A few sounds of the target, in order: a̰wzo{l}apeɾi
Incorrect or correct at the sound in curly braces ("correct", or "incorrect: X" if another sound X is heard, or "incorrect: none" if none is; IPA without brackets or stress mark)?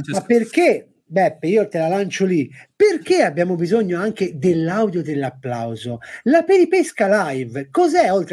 correct